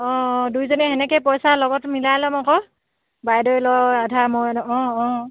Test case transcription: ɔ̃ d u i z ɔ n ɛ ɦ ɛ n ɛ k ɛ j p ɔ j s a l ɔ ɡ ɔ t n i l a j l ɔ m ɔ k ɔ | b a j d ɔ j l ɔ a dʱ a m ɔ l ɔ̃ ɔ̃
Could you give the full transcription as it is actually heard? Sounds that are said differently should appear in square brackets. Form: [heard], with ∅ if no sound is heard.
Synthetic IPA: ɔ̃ d u [j] z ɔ n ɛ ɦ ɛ n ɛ k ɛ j p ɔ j s a l ɔ ɡ ɔ t [m] i l a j l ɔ m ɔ k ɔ | b a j d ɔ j l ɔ a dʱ a m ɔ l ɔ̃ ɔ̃